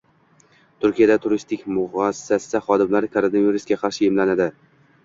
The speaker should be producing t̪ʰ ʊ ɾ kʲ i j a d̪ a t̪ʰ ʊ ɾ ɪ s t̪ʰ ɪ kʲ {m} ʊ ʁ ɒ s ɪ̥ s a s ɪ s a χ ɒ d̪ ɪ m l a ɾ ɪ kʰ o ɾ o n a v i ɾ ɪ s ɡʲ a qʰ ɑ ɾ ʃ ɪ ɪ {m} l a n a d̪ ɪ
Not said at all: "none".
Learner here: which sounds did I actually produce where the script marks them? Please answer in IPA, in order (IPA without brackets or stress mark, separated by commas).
m, m